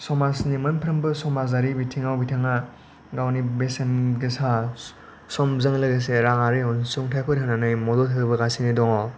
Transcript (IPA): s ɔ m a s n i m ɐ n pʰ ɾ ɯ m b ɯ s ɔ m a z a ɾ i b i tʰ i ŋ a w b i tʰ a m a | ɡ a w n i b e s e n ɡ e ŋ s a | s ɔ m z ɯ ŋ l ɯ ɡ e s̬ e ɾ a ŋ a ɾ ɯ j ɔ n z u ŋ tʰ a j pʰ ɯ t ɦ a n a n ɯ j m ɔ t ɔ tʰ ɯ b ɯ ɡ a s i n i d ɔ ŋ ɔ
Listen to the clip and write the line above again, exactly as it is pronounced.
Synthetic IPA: s ɔ m a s n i m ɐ n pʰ ɾ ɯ m b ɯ s ɔ m a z a ɾ i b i tʰ i ŋ a w b i tʰ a ŋ a | ɡ a w n i b e s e n ɡ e s a | s ɔ m z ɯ ŋ l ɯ ɡ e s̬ e ɾ a ŋ a ɾ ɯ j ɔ n s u ŋ tʰ a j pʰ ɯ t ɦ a n a n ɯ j m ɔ d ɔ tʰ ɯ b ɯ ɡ a s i n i d ɔ ŋ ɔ